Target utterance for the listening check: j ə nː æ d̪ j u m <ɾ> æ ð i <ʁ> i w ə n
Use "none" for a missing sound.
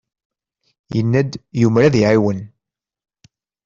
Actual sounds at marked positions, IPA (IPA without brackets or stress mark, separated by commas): ɾ, ʕ